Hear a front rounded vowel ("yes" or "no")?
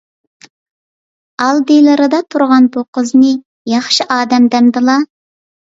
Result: no